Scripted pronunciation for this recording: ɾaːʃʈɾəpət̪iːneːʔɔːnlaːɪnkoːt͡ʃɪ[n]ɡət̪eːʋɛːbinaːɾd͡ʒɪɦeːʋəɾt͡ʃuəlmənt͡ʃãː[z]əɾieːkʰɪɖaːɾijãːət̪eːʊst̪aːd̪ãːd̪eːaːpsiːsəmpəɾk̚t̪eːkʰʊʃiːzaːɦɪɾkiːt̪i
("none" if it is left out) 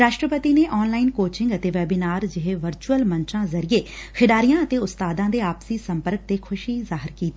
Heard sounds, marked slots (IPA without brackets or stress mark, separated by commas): ŋ, z